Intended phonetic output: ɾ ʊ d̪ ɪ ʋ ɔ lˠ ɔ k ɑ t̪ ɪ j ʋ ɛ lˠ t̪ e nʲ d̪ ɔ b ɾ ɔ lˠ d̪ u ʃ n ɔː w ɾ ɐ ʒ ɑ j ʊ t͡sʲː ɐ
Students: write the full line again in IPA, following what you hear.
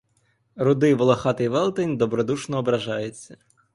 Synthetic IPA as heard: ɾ ʊ d̪ ɪ ʋ ɔ lˠ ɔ x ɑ t̪ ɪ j ʋ ɛ lˠ t̪ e nʲ d̪ ɔ b ɾ ɔ d̪ u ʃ n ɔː b ɾ ɐ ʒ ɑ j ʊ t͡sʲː ɐ

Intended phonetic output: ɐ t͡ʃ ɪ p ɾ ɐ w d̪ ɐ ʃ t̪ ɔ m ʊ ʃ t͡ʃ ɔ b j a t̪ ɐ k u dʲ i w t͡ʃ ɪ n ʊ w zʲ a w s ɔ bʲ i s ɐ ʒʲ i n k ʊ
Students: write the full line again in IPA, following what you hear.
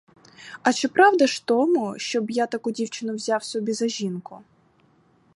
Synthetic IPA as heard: ɐ t͡ʃ ɪ p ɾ ɑ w d̪ ɐ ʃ t̪ ɔ m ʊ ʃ t͡ʃ ɔ b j a t̪ ɐ k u dʲ i w t͡ʃ ɪ n ʊ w zʲ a w s ɔ bʲ i z ɐ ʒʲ i n k ʊ

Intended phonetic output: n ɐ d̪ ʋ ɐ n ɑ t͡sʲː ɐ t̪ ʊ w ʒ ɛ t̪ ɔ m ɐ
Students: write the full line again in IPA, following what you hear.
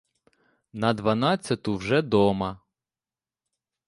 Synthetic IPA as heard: n ɐ d̪ ʋ ɐ n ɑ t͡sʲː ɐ t̪ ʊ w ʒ ɛ d̪ ɔ m ɐ

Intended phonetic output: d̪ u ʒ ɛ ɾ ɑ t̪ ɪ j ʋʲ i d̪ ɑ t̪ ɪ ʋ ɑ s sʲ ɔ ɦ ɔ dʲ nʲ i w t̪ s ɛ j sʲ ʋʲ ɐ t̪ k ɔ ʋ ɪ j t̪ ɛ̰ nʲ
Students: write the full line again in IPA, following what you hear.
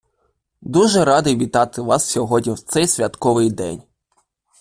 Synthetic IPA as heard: d̪ u ʒ ɛ ɾ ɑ d̪ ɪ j ʋʲ i t̪ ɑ t̪ ɪ ʋ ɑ s sʲ ɔ ɦ ɔ dʲ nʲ i w t̪ s ɛ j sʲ ʋʲ ɐ t̪ k ɔ ʋ ɪ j d̪ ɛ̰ nʲ

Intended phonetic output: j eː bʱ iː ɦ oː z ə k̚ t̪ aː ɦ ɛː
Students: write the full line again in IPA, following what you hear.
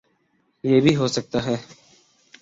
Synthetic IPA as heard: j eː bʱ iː ɦ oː s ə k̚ t̪ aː ɦ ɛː

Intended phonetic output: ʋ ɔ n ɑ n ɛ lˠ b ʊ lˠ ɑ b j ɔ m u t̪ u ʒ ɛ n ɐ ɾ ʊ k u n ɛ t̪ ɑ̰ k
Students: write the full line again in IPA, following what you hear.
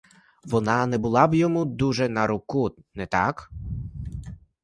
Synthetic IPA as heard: ʋ ɔ n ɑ n ɛ b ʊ lˠ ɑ b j ɔ m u d̪ u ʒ ɛ n ɐ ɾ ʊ k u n ɛ t̪ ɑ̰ k

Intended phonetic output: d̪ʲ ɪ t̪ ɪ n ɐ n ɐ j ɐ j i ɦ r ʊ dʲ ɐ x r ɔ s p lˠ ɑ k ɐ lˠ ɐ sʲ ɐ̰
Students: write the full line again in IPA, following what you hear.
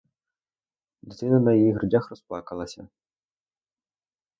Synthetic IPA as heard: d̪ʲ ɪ t̪ ɪ n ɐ n ɐ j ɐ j i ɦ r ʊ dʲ a x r ɔ s p lˠ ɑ k ɐ lˠ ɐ sʲ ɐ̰

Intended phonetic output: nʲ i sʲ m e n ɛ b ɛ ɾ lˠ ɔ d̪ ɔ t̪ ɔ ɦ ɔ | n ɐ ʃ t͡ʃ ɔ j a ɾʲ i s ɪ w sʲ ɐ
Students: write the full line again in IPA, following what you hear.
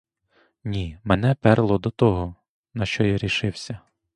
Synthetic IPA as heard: nʲ i m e n ɛ p ɛ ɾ lˠ ɔ d̪ ɔ t̪ ɔ ɦ ɔ | n ɐ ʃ t͡ʃ ɔ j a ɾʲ i ʃ ɪ w sʲ ɐ

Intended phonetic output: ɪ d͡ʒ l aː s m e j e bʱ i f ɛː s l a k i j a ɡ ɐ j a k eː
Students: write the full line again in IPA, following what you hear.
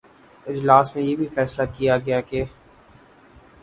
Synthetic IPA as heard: ɪ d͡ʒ l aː s m ẽ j e bʱ i f ɛː s l a k i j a ɡ ɐ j a k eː

